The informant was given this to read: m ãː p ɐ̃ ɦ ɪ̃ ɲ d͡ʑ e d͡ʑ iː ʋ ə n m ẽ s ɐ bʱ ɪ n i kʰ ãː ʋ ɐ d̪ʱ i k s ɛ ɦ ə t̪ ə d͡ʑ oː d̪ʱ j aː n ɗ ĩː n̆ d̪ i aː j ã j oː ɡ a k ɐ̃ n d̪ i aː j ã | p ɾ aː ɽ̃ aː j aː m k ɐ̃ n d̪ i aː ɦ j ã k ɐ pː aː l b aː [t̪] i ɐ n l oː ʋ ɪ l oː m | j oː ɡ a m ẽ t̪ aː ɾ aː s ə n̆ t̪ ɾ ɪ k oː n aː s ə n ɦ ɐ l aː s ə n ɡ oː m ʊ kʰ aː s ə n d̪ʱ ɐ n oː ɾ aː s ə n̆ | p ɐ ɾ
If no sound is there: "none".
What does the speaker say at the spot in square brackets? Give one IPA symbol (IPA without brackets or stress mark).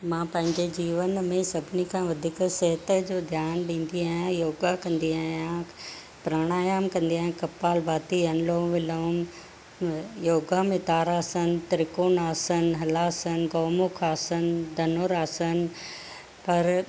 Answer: t̪